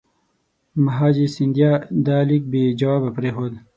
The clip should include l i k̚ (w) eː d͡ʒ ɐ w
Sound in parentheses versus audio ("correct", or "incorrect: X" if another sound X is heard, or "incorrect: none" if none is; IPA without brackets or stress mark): incorrect: b